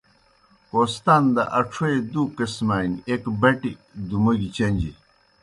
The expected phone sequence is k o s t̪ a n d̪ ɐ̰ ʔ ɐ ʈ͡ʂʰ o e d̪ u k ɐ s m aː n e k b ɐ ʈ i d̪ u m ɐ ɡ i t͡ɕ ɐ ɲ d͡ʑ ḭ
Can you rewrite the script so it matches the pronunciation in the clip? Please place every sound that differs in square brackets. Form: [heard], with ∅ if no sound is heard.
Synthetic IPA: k o s t̪ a n d̪ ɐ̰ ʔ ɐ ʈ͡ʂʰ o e d̪ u k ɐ s m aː n e k b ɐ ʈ i d̪ u m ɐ ɡ i t͡ɕ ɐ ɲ d͡ʑ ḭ